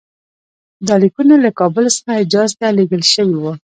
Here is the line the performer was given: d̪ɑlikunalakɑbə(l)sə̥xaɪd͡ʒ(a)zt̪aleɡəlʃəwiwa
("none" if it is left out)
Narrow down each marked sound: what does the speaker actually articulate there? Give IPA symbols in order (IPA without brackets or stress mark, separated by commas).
l, ɑ